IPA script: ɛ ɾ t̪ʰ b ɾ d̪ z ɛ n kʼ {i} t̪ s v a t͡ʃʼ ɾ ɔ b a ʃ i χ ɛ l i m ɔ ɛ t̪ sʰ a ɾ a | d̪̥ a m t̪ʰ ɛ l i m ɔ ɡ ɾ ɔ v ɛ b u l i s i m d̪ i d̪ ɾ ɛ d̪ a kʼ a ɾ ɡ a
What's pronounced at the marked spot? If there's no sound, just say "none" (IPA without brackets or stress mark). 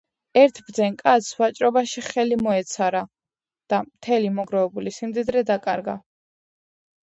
a